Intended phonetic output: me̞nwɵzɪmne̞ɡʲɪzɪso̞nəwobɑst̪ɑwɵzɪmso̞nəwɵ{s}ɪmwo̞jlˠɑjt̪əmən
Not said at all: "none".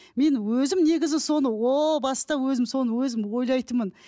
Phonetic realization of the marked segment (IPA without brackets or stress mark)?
z